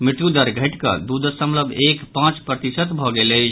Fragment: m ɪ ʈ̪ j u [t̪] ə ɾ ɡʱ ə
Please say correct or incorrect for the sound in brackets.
incorrect